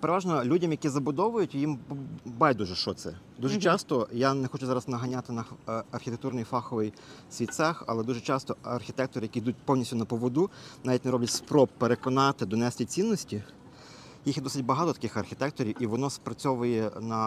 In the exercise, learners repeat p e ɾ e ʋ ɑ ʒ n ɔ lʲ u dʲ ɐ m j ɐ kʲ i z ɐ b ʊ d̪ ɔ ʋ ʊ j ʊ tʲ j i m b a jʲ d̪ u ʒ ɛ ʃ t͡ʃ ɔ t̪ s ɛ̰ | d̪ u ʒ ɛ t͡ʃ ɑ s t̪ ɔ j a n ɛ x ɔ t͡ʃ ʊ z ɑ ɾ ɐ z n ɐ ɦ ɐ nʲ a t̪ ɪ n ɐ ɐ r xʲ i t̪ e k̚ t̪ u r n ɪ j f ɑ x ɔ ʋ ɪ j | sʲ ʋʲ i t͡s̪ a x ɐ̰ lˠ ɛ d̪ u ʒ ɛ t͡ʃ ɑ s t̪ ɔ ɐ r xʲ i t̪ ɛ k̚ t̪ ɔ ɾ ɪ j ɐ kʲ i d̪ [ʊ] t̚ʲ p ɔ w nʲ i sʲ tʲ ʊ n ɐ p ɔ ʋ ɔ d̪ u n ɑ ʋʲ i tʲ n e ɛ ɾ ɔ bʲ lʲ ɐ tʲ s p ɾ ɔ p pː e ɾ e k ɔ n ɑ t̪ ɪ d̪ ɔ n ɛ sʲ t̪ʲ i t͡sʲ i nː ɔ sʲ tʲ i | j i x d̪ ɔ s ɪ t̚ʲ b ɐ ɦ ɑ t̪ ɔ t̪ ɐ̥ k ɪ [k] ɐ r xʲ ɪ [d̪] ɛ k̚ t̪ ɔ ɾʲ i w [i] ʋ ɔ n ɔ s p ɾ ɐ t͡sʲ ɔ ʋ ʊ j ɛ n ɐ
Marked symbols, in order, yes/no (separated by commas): no, no, no, yes